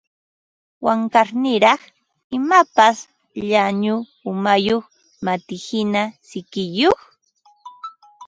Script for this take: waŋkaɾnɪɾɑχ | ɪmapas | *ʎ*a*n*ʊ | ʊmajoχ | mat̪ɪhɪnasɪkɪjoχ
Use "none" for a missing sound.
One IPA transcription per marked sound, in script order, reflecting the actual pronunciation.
ʎ, ɲ

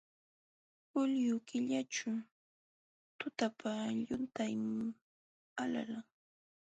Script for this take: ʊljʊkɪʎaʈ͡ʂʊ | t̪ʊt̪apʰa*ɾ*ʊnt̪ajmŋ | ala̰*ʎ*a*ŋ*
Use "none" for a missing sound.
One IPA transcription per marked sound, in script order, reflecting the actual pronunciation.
ʎ, l, ŋ

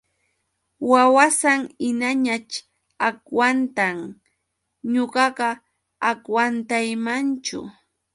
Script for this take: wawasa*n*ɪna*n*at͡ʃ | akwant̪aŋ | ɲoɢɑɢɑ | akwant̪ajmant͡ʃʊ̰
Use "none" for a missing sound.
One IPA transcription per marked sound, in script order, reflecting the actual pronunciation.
ŋ, ɲ

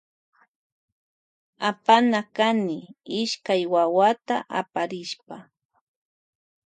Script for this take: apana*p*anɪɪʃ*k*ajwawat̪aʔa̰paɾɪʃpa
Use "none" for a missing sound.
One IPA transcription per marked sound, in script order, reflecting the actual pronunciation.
k, k

